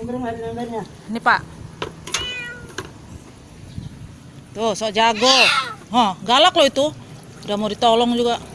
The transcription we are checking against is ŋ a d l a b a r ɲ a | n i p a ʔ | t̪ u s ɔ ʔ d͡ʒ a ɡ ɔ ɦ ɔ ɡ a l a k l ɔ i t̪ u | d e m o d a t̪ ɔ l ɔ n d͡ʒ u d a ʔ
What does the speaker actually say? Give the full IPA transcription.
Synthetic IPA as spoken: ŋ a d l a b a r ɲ a | n i p a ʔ | t̪ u s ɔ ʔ d͡ʒ a ɡ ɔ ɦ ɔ ɡ a l a k l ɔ i t̪ u | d a m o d i t̪ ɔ l ɔ ŋ d͡ʒ u ɡ a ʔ